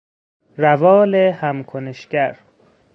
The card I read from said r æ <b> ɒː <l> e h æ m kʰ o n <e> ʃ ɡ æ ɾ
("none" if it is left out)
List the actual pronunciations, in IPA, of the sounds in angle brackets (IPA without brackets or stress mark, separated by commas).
v, l, e